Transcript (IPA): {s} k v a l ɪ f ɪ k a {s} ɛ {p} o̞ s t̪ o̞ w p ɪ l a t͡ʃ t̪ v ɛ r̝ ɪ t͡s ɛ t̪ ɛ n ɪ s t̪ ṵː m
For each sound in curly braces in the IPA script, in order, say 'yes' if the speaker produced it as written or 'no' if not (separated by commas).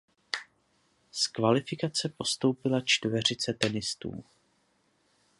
yes, no, yes